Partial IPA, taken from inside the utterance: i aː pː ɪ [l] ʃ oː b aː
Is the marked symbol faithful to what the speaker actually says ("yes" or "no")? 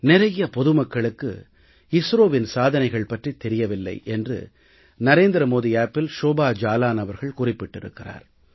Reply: yes